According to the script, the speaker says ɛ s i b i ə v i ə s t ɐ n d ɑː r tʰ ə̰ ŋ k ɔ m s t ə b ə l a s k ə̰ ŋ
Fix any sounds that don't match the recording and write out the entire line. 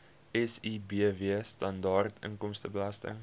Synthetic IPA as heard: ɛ s i b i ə v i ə s t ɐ n d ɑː r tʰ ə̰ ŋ k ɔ m s t ə b ə l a s t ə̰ ŋ